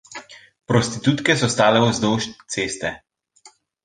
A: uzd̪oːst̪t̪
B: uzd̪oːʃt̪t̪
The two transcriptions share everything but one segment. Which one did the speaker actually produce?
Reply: B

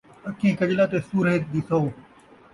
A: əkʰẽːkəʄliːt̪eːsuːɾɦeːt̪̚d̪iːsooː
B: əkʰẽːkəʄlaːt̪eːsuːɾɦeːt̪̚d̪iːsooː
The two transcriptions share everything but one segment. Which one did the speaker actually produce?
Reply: B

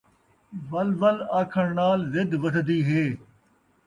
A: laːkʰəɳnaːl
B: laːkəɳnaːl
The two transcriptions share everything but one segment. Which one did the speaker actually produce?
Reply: A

